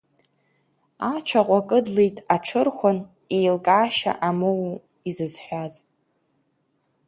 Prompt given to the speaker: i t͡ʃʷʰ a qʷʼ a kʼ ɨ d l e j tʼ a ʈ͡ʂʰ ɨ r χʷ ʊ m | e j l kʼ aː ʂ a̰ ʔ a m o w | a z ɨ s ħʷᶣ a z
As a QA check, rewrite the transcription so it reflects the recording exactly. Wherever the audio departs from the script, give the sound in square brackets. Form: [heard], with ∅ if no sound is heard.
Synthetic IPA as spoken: [a] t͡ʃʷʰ a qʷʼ a kʼ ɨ d l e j tʼ a ʈ͡ʂʰ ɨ r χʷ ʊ [n] | e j l kʼ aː [ʃ] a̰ ʔ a m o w | [i] z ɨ [z] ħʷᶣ a z